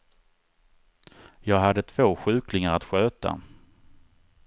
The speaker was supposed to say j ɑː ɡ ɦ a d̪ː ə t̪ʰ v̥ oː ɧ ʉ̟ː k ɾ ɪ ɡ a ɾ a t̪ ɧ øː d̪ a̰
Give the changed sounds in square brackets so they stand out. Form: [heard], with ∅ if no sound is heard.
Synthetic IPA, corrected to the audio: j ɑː ɡ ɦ a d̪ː ə t̪ʰ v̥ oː ɧ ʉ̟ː k [l] ɪ [ŋ] a ɾ a t̪ ɧ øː [t̪] a̰